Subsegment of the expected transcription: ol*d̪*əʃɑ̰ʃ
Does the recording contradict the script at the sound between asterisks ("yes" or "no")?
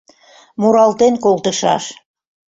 yes